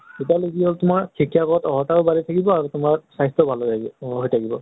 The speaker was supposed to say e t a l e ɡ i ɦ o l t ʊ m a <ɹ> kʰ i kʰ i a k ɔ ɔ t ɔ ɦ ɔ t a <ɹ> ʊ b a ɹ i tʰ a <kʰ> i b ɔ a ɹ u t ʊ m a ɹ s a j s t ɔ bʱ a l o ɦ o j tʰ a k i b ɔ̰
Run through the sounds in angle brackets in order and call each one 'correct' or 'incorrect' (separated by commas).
correct, correct, incorrect